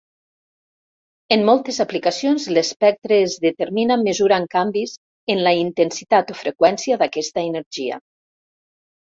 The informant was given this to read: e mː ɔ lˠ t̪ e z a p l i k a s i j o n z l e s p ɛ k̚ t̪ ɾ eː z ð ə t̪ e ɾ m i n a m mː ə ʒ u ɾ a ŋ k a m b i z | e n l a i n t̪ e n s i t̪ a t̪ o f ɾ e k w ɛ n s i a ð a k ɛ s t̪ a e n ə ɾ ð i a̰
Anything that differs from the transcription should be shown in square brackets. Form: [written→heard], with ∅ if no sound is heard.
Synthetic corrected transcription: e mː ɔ lˠ t̪ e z a p l i k a s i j o n z l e s p ɛ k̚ t̪ ɾ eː z ð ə t̪ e ɾ m i n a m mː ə [ʒ→z] u ɾ a ŋ k a m b i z | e n l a i n t̪ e n s i t̪ a t̪ o f ɾ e k w ɛ n s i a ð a k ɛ s t̪ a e n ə ɾ [ð→ʒ] i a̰

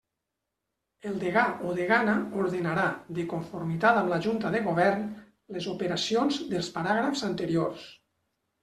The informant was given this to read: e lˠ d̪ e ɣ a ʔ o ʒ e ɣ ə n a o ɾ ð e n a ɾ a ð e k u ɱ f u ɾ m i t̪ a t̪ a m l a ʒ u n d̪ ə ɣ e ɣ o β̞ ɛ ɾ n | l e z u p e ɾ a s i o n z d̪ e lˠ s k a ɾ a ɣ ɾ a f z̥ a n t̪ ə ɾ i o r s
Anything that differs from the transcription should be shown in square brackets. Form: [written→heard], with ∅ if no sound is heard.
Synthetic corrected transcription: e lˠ d̪ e ɣ a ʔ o [ʒ→ð] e ɣ [ə→a] n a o ɾ ð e n a ɾ a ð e k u ɱ f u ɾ m i t̪ a t̪ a m l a ʒ u n [d̪→t̪] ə [ɣ→ð] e ɣ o β̞ ɛ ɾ n | l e z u p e ɾ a s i o n z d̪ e lˠ s [k→p] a ɾ a ɣ ɾ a f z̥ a n t̪ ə ɾ i o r s

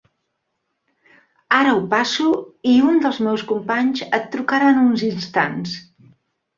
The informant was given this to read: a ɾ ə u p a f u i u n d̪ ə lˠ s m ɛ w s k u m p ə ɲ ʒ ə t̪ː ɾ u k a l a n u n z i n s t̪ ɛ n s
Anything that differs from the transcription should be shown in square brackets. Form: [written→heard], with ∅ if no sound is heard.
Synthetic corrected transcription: a ɾ ə u p a [f→s] u i u n d̪ ə lˠ [s→z] m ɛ w s k u m p [ə→a] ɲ [ʒ→z] ə t̪ː ɾ u k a [l→ɾ] a n u n z i n s t̪ [ɛ→a] n s

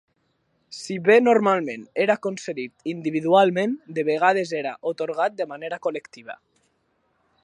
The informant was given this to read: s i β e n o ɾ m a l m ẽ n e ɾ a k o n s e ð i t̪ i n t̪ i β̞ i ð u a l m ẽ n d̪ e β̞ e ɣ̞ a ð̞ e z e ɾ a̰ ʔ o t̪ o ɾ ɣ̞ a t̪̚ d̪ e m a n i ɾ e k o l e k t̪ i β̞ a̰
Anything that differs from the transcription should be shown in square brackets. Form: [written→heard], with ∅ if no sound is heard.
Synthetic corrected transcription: s i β e n o ɾ m a l m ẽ n e ɾ a k o n s e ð i t̪ i n [t̪→d̪] i β̞ i ð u a l m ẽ n d̪ e β̞ e ɣ̞ a ð̞ e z e ɾ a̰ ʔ o t̪ o ɾ ɣ̞ a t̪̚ d̪ e m a n [i→e] ɾ [e→a] k o l e k t̪ i β̞ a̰

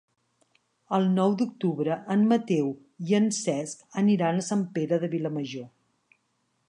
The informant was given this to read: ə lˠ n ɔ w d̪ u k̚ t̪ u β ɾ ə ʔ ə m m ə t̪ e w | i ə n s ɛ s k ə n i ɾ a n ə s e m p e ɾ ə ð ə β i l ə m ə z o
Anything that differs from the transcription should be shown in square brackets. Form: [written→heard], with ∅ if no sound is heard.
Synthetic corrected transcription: ə lˠ n ɔ w d̪ u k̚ t̪ u β ɾ ə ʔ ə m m ə t̪ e w | i ə n s ɛ s k ə n i ɾ a n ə s [e→a] m p e ɾ ə ð ə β i l ə m ə [z→ʒ] o

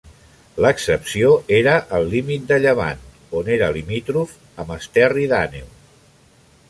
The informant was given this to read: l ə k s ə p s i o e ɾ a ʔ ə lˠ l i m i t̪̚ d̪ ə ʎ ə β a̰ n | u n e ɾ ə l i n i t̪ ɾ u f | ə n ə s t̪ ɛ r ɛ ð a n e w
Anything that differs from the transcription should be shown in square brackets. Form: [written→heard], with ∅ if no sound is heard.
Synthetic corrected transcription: l ə k s ə p s i o e ɾ [a→ə] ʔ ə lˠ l i m i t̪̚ d̪ ə ʎ ə β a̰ n | [u→o] n e ɾ ə l i [n→m] i t̪ ɾ u f | ə [n→m] ə s t̪ ɛ r [ɛ→i] ð a n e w

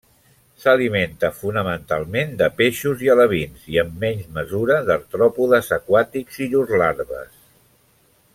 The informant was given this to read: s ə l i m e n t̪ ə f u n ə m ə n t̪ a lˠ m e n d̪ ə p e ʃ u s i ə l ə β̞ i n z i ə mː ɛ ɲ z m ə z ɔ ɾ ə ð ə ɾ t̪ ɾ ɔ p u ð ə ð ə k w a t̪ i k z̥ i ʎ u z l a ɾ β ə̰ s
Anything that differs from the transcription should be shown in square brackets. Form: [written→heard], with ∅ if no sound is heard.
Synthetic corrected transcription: s ə l i m e n t̪ ə f u n ə m ə n t̪ a lˠ m e n d̪ ə p e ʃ u [s→z] i ə l ə β̞ i n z i ə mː ɛ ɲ z m ə z [ɔ→u] ɾ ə ð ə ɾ t̪ ɾ ɔ p u ð ə [ð→z] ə k w a t̪ i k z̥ i ʎ u z l a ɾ β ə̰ s

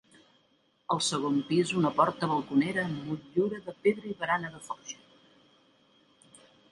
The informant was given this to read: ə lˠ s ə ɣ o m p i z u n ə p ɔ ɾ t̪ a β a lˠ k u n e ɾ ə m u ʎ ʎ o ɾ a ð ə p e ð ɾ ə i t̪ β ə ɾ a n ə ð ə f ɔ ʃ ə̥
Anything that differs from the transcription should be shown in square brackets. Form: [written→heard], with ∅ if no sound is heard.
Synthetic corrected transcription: ə lˠ s ə ɣ o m p i z u n ə p ɔ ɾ t̪ [a→ə] β [a→ə] lˠ k u n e ɾ ə m u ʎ ʎ [o→u] ɾ [a→ə] ð ə p e ð ɾ ə i [t̪→∅] β ə ɾ a n ə ð ə f ɔ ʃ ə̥

